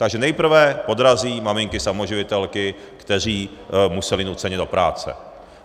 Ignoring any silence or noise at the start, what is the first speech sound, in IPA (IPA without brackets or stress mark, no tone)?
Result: t̪